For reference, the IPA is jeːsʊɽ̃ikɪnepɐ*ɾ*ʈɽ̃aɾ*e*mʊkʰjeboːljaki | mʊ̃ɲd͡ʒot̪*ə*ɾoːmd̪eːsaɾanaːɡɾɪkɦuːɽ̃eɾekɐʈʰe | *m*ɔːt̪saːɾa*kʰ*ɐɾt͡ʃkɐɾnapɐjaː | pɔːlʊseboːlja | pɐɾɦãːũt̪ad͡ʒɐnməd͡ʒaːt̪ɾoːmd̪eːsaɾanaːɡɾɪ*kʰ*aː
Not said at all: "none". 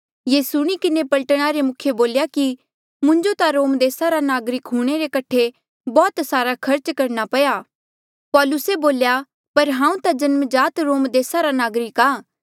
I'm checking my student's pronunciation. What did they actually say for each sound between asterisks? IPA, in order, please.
l, e, a, b, kʰ, k

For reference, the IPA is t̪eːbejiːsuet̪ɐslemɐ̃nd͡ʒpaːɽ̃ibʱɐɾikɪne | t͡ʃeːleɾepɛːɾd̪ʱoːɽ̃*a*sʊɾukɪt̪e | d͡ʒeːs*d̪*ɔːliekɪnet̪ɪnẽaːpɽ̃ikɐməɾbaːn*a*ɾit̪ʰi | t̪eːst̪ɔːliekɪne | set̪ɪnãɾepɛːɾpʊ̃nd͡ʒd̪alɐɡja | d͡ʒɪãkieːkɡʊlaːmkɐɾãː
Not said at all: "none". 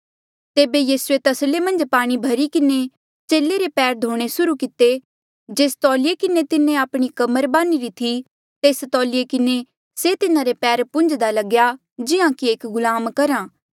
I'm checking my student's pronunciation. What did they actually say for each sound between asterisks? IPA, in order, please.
e, t̪, i

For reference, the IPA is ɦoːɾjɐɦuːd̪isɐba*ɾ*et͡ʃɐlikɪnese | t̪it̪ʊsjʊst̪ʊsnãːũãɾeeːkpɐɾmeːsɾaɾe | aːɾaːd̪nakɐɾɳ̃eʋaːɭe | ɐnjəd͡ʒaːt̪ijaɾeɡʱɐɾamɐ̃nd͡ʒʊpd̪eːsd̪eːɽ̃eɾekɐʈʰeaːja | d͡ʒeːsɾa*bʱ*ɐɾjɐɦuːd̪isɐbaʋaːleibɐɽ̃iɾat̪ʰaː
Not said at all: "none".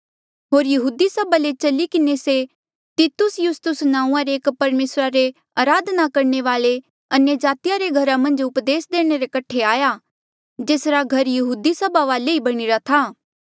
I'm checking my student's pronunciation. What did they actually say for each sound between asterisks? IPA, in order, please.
l, ɡʱ

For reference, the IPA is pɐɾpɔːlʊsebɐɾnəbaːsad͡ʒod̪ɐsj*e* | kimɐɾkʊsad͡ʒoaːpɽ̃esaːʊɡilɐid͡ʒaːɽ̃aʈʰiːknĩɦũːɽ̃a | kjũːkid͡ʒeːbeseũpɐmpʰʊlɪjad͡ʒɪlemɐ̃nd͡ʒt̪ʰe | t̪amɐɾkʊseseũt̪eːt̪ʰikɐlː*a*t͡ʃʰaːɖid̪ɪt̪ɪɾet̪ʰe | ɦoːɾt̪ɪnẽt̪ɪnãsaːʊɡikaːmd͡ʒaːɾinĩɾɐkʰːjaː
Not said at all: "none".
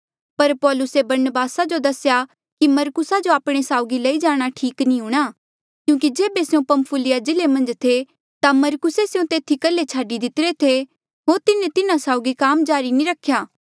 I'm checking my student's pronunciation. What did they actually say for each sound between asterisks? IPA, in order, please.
a, e

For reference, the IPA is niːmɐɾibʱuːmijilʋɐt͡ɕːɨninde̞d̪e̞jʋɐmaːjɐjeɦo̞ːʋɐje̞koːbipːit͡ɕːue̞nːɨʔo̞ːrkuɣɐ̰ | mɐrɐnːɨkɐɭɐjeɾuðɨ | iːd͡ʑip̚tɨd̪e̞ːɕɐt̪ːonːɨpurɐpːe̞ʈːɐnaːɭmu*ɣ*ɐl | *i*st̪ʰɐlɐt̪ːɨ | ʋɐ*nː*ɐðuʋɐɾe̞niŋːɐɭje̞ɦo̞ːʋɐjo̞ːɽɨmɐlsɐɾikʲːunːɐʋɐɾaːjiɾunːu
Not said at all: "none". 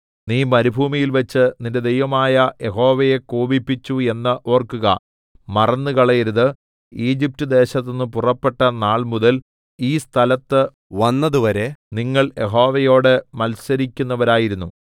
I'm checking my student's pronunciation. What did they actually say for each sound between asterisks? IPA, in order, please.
ð, iː, nː

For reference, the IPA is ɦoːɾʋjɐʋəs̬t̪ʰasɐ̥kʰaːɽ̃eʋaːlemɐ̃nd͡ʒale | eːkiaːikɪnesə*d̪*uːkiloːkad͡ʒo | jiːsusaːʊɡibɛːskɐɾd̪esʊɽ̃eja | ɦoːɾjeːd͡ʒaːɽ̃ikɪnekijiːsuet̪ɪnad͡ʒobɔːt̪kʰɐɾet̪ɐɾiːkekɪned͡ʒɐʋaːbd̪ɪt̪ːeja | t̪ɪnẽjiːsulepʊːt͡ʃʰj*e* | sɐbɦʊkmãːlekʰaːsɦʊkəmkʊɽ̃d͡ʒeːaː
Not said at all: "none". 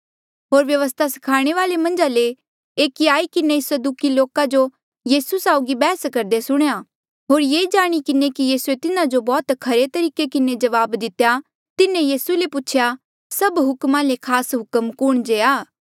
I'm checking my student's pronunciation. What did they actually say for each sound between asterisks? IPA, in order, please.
d̪, a

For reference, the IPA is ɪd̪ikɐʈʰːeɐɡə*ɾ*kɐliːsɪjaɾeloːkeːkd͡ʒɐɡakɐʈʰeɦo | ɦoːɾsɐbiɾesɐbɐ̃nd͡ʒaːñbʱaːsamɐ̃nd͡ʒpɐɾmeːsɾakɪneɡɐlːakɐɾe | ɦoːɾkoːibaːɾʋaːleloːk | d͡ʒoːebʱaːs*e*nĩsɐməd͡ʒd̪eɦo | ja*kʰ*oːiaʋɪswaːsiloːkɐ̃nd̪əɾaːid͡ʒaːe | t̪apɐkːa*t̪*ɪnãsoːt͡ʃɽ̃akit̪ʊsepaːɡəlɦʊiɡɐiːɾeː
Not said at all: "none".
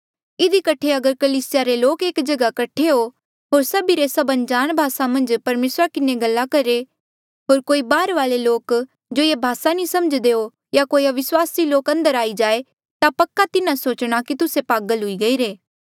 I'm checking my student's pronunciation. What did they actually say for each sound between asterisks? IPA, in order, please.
ɾ, a, k, t̪

